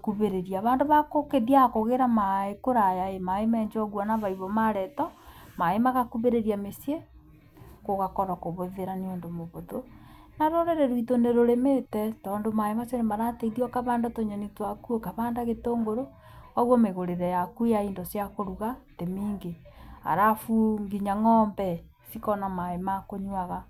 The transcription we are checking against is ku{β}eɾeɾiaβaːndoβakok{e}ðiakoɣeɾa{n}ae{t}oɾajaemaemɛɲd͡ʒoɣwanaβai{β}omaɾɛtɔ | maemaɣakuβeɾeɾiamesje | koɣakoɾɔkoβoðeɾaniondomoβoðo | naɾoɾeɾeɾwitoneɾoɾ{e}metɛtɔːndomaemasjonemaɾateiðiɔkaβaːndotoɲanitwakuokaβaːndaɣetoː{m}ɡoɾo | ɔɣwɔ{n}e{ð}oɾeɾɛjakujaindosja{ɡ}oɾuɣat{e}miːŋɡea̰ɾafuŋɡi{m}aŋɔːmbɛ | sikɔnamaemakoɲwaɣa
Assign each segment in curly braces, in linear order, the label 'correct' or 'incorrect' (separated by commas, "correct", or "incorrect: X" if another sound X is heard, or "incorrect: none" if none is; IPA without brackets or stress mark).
correct, correct, incorrect: m, incorrect: k, correct, correct, incorrect: ŋ, incorrect: m, incorrect: ɣ, incorrect: k, correct, incorrect: ɲ